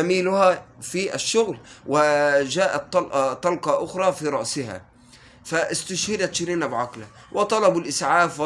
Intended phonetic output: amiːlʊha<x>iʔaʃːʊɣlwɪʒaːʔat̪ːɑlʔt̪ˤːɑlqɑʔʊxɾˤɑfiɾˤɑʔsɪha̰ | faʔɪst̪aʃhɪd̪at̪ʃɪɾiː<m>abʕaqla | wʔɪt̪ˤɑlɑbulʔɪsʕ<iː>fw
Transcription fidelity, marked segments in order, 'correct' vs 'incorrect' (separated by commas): incorrect, incorrect, incorrect